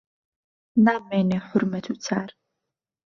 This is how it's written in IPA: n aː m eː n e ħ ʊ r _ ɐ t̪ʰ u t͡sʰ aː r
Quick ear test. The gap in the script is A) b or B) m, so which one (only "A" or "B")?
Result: B